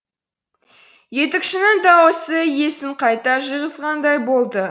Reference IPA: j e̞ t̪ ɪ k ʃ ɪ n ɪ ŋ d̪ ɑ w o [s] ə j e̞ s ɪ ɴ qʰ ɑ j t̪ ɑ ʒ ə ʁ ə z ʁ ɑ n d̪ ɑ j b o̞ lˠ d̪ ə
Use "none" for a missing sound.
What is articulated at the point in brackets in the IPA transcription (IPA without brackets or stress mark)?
s